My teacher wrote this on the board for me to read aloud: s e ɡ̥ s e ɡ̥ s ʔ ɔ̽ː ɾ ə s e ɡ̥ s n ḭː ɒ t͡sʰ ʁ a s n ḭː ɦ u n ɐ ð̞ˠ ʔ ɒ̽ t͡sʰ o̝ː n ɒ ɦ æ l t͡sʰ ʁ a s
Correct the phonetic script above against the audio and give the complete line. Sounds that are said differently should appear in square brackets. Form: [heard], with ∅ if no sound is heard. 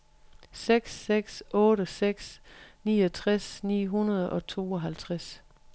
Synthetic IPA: s e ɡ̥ s e ɡ̥ s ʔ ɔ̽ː ɾ ə s e ɡ̥ s n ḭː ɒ t͡sʰ ʁ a s n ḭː ɦ u n ɐ ð̞ˠ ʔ ɒ̽ t͡sʰ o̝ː [∅] ɒ ɦ æ l t͡sʰ ʁ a s